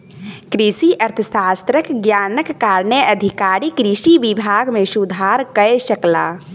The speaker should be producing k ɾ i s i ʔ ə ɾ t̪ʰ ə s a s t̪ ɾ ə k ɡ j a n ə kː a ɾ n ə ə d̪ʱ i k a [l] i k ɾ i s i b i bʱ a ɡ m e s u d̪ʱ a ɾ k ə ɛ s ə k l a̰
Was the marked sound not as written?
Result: yes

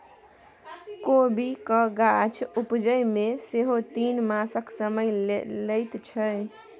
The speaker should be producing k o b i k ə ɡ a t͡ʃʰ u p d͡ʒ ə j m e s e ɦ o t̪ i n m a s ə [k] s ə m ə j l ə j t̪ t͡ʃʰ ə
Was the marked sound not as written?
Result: no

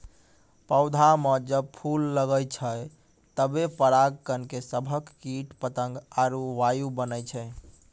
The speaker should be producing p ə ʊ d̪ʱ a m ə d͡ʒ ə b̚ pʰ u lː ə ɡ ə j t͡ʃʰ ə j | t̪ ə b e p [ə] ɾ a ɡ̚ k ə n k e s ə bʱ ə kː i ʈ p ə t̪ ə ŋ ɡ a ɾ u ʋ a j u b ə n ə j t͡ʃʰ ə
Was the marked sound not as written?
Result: no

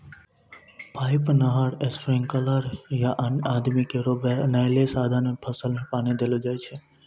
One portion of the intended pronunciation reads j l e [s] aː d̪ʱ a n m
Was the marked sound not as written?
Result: no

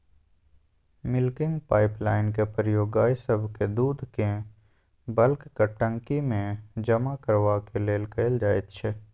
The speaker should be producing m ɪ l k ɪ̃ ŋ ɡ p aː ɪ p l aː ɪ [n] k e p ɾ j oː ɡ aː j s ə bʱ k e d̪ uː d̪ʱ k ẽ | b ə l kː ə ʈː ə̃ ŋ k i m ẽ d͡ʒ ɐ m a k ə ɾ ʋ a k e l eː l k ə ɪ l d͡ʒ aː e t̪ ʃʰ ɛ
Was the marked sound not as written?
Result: no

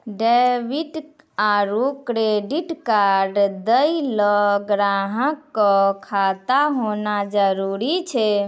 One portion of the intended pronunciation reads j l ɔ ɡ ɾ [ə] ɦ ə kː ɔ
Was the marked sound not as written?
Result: yes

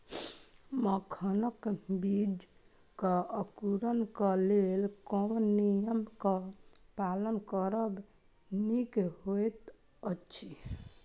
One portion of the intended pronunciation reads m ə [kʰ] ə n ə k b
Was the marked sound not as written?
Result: no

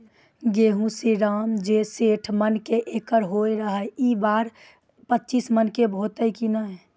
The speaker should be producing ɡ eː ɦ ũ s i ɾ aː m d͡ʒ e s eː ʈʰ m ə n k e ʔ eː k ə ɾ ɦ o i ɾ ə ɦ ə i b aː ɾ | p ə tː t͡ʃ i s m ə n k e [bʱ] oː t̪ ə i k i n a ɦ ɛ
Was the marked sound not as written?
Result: no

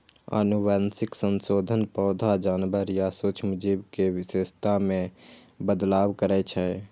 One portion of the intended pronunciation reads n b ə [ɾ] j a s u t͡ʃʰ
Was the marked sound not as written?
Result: no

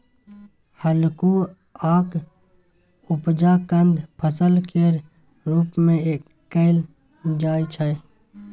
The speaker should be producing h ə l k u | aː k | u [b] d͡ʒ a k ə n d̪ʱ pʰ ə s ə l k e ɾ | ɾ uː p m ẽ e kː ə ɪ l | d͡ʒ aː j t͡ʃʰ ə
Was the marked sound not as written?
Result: yes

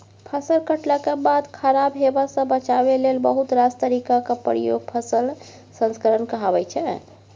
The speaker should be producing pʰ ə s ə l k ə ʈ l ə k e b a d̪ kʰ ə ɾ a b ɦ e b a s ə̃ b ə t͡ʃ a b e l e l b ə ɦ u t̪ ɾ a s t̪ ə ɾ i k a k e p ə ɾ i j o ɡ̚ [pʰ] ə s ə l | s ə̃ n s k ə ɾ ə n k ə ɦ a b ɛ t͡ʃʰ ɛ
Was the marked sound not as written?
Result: no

